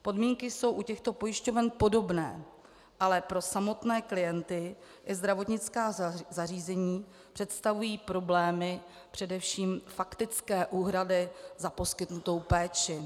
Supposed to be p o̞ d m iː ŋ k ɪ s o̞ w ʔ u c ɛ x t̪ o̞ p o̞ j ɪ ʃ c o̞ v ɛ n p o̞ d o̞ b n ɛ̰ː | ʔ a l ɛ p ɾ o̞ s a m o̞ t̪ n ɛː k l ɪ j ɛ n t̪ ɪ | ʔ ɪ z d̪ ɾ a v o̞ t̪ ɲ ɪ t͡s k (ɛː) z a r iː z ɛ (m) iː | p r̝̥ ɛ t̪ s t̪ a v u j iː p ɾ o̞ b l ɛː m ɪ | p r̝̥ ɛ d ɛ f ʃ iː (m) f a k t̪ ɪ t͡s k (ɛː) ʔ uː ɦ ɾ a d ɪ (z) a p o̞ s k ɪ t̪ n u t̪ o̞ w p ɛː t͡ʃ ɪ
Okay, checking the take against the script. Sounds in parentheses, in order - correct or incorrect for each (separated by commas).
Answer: incorrect, incorrect, correct, correct, correct